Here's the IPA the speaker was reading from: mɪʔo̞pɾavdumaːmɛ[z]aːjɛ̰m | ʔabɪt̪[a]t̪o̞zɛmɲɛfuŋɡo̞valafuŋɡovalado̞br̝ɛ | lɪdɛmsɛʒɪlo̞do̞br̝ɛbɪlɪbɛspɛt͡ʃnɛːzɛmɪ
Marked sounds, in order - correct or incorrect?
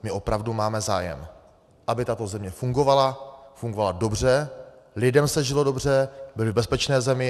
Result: correct, correct

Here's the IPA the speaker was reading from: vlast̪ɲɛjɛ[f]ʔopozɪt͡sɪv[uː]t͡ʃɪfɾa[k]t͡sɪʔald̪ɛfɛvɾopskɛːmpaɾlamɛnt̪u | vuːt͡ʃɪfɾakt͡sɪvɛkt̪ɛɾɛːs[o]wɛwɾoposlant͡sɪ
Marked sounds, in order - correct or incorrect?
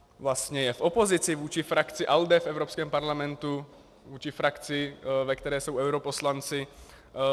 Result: correct, correct, correct, correct

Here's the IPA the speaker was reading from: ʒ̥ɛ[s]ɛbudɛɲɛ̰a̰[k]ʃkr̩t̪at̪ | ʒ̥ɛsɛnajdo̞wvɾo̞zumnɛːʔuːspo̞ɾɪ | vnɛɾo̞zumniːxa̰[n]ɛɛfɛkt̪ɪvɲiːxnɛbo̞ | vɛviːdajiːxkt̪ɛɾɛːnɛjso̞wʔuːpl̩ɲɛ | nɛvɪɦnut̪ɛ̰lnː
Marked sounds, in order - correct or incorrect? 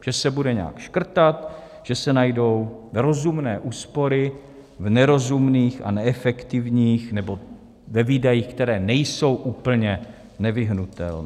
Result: correct, correct, correct

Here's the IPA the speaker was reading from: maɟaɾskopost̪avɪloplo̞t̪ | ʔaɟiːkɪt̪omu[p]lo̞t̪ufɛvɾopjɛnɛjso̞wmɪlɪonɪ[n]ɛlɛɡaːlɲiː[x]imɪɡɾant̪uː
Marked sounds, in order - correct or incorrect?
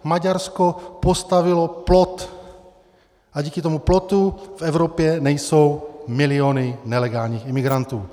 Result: correct, correct, correct

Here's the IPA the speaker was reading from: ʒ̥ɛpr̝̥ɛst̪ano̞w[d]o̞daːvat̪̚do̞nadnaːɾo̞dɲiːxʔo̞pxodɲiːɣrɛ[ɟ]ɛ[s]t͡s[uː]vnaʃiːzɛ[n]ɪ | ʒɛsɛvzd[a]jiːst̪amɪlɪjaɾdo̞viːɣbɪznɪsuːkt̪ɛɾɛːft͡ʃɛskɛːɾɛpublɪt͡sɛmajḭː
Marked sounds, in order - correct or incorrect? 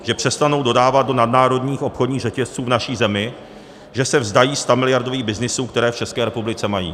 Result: correct, incorrect, correct, correct, incorrect, correct

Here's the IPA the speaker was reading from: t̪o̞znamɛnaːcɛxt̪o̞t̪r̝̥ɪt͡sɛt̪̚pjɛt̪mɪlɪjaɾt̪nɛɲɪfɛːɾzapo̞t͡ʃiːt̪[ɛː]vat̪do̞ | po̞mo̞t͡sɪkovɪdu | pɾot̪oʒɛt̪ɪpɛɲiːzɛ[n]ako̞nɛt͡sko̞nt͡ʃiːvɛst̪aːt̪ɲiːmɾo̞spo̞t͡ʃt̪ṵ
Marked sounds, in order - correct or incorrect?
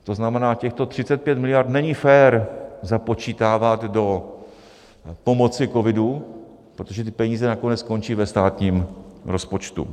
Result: incorrect, correct

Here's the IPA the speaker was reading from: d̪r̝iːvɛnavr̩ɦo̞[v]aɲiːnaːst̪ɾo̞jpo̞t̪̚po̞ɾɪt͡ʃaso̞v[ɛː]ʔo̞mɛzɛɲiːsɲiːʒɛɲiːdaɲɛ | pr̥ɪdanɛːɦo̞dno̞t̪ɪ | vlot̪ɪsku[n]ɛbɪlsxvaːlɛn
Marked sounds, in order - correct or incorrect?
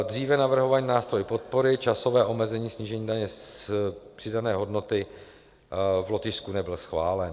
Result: correct, correct, correct

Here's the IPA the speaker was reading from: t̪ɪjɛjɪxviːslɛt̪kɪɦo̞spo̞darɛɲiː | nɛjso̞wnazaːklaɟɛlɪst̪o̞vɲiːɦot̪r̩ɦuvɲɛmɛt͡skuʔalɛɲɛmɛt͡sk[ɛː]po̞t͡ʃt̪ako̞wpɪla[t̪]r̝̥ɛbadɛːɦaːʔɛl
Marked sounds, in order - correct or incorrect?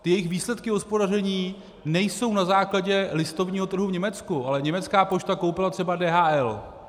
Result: incorrect, correct

